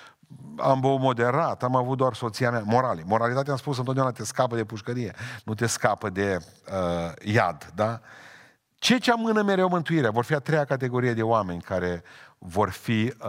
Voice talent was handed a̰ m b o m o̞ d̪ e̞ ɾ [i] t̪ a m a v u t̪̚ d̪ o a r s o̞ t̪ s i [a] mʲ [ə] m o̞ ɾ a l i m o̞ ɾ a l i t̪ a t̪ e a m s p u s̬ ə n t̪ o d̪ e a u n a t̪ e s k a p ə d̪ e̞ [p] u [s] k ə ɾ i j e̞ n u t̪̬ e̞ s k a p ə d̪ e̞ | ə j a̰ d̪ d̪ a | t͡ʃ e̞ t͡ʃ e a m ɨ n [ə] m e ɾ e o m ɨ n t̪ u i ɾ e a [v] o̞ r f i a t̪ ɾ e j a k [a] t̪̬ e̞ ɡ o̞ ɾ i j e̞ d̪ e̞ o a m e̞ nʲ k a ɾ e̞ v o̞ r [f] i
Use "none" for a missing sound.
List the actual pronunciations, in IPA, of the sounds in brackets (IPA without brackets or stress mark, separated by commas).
a, a, a, p, ʃ, ə, v, a, f